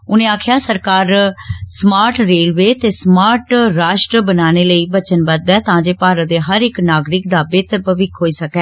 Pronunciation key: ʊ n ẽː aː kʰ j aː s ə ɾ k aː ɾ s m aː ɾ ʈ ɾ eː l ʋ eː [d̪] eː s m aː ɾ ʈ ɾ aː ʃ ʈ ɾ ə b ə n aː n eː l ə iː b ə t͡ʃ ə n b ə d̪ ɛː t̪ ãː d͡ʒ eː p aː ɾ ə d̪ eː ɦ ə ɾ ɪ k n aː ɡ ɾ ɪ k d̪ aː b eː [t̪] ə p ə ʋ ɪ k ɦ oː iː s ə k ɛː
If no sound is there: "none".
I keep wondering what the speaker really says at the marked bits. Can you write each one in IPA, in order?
t̪, t̪

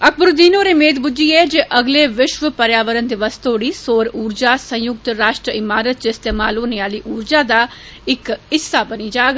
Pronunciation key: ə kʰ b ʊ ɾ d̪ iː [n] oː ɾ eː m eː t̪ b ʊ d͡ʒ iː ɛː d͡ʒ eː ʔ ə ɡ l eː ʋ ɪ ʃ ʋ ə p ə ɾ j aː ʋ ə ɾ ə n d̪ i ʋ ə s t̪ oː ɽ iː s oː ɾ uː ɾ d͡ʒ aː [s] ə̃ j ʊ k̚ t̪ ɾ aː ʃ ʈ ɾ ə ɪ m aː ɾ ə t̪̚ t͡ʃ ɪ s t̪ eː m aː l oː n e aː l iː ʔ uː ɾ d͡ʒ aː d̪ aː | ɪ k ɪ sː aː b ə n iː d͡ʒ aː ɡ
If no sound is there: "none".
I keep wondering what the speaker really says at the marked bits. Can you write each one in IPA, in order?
n, s

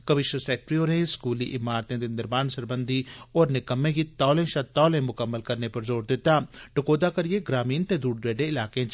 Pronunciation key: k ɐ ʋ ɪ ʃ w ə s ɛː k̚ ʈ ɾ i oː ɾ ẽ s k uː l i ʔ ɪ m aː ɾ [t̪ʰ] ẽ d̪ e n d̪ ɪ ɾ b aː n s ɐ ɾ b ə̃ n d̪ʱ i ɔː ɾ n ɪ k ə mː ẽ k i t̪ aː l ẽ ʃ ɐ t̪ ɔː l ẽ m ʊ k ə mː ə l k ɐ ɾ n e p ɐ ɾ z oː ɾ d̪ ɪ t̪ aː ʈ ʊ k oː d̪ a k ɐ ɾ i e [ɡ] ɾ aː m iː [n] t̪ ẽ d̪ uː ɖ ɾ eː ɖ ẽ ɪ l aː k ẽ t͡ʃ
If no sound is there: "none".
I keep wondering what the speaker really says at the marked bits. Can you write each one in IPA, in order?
t̪, ɡ, n

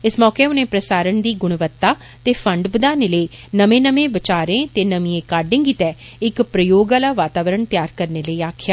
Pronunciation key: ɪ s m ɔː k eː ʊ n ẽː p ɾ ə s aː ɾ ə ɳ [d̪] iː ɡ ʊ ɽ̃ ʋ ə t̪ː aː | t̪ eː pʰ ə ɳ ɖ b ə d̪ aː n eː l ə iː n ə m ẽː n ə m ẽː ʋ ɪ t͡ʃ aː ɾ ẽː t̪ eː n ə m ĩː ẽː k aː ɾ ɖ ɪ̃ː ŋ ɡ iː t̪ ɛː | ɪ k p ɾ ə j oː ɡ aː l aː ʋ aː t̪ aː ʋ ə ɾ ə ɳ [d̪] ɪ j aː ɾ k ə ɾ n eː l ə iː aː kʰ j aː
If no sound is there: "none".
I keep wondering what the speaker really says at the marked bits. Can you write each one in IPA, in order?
d̪, t̪

